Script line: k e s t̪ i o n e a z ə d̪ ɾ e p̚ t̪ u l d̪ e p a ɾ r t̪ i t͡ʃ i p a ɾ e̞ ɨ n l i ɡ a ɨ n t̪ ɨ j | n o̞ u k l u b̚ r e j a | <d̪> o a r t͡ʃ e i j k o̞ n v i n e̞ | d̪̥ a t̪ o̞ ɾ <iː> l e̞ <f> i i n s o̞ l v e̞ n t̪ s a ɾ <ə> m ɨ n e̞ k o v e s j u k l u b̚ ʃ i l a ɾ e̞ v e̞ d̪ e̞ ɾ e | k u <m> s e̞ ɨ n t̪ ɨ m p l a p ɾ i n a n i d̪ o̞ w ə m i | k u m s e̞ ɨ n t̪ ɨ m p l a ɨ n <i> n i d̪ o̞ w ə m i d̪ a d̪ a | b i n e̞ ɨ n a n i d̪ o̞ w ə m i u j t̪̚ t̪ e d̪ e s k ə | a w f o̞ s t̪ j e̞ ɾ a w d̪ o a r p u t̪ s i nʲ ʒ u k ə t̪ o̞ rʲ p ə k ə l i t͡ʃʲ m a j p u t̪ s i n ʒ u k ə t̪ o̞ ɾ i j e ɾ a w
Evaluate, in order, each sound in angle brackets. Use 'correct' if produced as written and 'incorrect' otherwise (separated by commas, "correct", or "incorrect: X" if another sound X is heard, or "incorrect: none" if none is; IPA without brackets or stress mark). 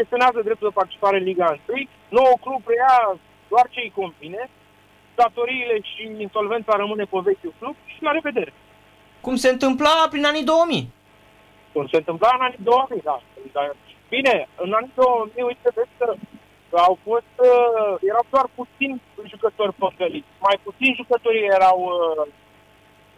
correct, correct, incorrect: ʃ, correct, correct, incorrect: a